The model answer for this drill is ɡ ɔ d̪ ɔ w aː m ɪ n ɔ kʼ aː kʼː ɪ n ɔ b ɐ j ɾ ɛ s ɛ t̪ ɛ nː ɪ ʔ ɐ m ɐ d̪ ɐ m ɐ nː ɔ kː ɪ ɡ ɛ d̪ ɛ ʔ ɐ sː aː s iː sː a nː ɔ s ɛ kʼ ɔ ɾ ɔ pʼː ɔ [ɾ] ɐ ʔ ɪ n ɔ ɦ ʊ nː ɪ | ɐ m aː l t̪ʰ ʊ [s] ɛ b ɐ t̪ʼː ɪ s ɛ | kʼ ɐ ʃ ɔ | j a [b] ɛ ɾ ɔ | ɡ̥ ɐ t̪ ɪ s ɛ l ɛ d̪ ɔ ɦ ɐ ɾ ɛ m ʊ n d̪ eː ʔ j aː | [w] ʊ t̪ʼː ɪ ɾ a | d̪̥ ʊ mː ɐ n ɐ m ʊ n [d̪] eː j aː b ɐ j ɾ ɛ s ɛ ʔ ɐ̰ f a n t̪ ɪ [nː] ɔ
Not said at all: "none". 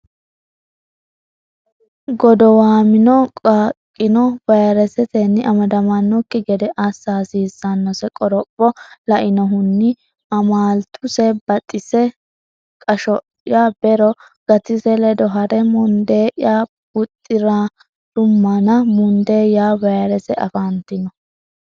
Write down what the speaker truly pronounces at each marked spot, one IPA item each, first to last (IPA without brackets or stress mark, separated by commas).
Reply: l, s, b, b, d̪, n